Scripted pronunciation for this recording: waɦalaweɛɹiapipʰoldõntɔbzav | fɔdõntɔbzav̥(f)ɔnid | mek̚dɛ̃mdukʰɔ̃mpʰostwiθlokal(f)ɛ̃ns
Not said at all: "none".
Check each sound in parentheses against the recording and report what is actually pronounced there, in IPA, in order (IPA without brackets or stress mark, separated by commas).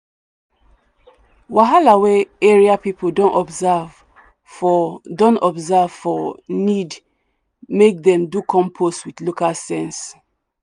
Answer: f, s